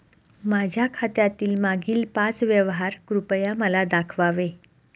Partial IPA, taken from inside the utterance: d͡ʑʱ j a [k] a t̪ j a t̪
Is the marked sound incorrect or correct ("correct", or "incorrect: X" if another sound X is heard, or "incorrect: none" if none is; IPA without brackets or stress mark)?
incorrect: kʰ